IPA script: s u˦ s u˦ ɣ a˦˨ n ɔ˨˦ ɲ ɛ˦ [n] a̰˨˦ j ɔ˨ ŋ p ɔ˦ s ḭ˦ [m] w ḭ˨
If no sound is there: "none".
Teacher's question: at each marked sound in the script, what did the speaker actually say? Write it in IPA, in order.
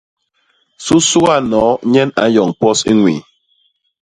n, ŋ

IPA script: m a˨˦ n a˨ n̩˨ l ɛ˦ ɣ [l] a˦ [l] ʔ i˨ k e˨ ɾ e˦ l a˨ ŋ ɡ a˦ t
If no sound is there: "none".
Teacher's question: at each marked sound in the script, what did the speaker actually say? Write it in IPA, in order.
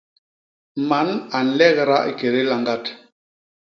ɾ, none

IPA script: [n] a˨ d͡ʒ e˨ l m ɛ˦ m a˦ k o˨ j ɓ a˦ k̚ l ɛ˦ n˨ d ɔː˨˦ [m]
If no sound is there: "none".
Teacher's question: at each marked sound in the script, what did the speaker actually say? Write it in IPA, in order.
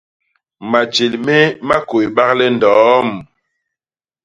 m, m

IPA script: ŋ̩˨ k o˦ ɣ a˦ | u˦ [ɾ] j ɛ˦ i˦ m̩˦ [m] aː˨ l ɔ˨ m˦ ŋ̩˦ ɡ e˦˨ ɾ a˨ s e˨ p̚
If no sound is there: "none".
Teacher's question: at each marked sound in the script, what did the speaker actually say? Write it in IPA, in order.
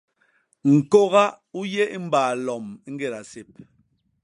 none, b

